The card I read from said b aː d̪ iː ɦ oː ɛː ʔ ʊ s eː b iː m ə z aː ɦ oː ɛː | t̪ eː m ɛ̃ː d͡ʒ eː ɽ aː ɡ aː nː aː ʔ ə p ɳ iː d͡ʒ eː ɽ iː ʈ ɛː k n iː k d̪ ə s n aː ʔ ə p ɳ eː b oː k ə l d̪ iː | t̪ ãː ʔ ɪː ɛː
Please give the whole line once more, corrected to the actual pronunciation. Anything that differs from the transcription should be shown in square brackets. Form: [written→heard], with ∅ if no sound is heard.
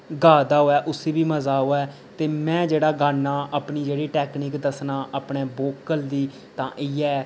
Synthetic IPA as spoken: [b→ɡ] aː d̪ [iː→aː] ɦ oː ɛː ʔ ʊ s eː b iː m ə z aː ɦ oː ɛː | t̪ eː m ɛ̃ː d͡ʒ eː ɽ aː ɡ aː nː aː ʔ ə p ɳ iː d͡ʒ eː ɽ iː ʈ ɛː k n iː k d̪ ə s n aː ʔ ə p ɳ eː b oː k ə l d̪ iː | t̪ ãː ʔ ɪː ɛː